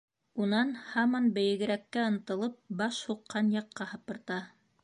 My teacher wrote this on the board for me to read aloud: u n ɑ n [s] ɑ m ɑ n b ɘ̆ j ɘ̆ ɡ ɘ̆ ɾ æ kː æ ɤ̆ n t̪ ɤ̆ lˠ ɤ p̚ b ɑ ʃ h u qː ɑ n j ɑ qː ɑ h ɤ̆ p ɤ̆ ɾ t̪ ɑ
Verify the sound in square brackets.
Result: incorrect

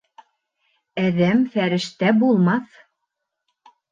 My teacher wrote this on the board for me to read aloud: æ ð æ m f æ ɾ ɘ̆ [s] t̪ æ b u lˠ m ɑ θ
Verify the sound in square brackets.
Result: incorrect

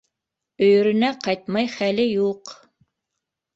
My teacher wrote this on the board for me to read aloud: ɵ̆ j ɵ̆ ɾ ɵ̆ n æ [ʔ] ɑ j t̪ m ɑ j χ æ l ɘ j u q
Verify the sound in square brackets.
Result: incorrect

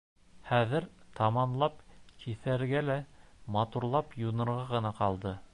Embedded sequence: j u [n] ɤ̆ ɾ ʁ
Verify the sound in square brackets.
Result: correct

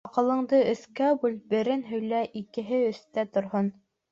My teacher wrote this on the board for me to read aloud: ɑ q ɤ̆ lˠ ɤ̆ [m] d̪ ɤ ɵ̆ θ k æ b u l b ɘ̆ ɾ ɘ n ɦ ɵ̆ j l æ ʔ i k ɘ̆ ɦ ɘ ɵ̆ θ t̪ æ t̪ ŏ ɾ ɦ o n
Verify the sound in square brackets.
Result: incorrect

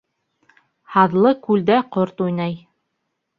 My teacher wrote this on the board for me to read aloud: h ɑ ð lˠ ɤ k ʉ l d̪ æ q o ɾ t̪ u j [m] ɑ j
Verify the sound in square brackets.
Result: incorrect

